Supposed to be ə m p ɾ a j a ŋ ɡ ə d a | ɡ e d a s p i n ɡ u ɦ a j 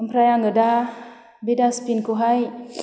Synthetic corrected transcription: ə m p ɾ a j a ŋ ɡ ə d a | b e d a s p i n k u ɦ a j